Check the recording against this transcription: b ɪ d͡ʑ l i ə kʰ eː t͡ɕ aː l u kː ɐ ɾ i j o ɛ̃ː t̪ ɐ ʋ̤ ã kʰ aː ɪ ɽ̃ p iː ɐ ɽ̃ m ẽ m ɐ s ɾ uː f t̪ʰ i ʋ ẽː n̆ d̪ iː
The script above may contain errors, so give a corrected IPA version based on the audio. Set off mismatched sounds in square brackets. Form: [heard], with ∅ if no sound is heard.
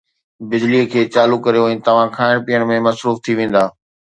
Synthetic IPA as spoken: b ɪ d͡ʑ l i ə kʰ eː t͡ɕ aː l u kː ɐ ɾ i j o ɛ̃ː t̪ ɐ ʋ̤ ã kʰ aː ɪ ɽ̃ p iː [ə] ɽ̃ m ẽ m ɐ s ɾ uː f t̪ʰ i ʋ ẽː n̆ d̪ [aː]